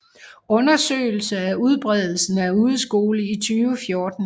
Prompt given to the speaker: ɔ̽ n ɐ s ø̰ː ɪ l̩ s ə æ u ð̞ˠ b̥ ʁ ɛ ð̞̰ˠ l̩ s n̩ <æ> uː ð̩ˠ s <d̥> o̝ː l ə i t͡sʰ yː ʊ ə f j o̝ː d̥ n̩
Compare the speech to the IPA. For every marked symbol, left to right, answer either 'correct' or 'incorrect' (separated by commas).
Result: correct, incorrect